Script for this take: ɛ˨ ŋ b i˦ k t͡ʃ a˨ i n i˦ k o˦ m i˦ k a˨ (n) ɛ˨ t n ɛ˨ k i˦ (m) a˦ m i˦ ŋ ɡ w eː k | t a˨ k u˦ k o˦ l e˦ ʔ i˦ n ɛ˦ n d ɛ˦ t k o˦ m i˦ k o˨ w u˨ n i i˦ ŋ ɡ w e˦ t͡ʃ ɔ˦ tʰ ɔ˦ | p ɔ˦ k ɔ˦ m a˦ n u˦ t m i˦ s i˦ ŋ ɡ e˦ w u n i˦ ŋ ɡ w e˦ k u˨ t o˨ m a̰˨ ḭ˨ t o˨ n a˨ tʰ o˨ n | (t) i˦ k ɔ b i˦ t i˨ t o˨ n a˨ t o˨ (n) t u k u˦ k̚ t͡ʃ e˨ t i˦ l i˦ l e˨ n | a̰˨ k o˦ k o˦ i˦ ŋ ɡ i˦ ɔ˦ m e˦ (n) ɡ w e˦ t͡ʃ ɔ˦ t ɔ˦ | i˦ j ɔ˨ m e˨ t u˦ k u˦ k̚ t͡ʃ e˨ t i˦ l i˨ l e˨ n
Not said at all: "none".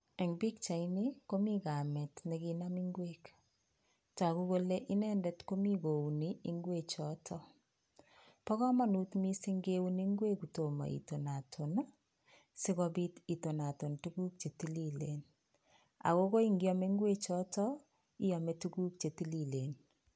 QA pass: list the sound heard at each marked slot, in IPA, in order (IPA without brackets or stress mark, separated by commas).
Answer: m, n, s, n, ŋ